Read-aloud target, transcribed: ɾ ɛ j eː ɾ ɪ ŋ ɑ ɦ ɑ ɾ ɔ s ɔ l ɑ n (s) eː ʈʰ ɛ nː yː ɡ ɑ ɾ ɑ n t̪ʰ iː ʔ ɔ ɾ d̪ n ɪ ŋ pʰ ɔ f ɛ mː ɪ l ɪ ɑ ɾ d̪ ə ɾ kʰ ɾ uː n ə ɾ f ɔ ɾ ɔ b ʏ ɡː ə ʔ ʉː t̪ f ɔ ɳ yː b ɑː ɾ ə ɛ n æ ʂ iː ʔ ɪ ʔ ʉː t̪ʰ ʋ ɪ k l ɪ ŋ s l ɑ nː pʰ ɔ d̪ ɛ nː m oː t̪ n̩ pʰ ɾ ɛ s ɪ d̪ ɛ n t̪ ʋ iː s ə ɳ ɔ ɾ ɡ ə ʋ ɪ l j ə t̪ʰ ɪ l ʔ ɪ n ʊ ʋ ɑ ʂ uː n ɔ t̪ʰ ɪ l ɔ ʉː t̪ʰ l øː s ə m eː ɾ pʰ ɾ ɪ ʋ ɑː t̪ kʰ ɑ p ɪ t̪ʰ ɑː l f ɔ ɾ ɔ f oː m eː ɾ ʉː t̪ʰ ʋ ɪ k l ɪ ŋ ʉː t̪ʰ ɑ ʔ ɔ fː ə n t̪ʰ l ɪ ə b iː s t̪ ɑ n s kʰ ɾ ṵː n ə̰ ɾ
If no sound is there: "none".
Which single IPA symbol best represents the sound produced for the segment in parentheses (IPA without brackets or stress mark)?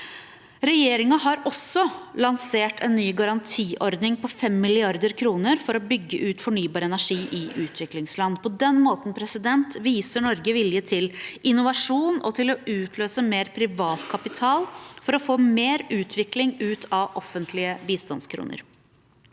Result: s